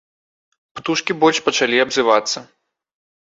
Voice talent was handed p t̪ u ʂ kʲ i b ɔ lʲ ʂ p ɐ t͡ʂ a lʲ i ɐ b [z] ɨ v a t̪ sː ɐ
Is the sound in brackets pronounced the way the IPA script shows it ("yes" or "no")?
yes